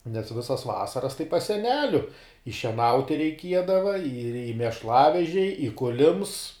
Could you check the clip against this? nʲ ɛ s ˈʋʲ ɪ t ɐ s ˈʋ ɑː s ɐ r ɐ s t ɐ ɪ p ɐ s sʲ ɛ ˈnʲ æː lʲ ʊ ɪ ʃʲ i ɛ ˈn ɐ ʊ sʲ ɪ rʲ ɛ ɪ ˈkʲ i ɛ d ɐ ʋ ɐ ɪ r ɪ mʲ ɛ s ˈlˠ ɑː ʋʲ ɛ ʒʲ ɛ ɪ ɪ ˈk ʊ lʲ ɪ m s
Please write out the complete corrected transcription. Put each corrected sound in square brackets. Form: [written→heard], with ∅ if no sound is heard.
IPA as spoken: nʲ ɛ s ˈʋʲ ɪ [t→s] ɐ s ˈʋ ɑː s ɐ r ɐ s t ɐ ɪ p ɐ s sʲ ɛ ˈnʲ æː lʲ ʊ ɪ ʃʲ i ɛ ˈn ɐ ʊ [sʲ→tʲ] ɪ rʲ ɛ ɪ ˈkʲ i ɛ d ɐ ʋ ɐ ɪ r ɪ mʲ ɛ [s→ʃ] ˈlˠ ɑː ʋʲ ɛ ʒʲ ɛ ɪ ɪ ˈk ʊ lʲ ɪ m s

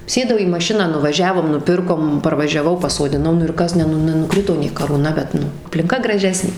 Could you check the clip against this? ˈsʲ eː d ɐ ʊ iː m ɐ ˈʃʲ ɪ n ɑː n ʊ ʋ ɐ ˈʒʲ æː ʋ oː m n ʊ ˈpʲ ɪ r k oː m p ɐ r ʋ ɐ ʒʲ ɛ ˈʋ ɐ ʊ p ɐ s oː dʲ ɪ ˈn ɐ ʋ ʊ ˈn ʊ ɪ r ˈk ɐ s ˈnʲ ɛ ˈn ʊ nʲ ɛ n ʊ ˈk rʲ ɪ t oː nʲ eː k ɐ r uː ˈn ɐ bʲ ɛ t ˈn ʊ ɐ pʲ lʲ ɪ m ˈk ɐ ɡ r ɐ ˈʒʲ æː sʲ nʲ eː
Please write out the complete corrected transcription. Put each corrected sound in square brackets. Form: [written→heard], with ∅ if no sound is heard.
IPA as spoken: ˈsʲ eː d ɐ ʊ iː m ɐ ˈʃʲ ɪ n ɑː n ʊ ʋ ɐ ˈʒʲ æː ʋ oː m n ʊ ˈpʲ ɪ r k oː m p ɐ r ʋ ɐ ʒʲ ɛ ˈʋ ɐ ʊ p ɐ s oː dʲ ɪ ˈn ɐ [ʋ→∅] ʊ ˈn ʊ ɪ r ˈk ɐ s ˈnʲ ɛ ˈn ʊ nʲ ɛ n ʊ ˈk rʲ ɪ t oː nʲ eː k ɐ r uː ˈn ɐ bʲ ɛ t ˈn ʊ ɐ pʲ lʲ ɪ [m→ŋ] ˈk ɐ ɡ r ɐ ˈʒʲ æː sʲ nʲ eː

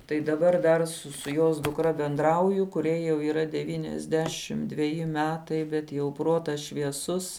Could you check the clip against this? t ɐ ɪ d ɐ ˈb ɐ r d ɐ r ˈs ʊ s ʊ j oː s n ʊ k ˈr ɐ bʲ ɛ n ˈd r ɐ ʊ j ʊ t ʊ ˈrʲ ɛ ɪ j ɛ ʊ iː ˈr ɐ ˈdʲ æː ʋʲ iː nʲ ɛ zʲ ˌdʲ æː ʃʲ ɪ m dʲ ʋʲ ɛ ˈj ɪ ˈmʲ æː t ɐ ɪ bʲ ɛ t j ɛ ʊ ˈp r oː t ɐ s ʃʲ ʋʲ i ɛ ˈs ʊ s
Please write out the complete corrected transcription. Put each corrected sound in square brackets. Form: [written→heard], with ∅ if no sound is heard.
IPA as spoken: t ɐ ɪ d ɐ ˈb ɐ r d ɐ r ˈs ʊ s ʊ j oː s [n→d] ʊ k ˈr ɐ bʲ ɛ n ˈd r ɐ ʊ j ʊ [t→k] ʊ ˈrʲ ɛ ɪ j ɛ ʊ iː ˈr ɐ ˈdʲ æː ʋʲ iː nʲ ɛ zʲ ˌdʲ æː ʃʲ ɪ m dʲ ʋʲ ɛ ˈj ɪ ˈmʲ æː t ɐ ɪ bʲ ɛ t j ɛ ʊ ˈp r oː t ɐ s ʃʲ ʋʲ i ɛ ˈs ʊ s

